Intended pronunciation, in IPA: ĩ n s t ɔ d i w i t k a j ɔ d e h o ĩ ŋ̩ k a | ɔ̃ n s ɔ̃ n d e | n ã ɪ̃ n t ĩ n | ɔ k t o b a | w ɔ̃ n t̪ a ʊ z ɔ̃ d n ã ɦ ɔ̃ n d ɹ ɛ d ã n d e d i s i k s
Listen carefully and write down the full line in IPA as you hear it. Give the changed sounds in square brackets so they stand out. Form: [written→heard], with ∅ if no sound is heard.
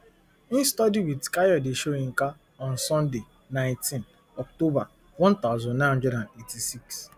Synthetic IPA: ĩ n s t ɔ d i w i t k a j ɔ d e [h→ʃ] o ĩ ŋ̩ k a | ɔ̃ n s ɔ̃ n d e | n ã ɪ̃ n t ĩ n | ɔ k t o b a | w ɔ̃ n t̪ a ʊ z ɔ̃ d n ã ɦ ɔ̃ n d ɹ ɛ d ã n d e [d→t] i s i k s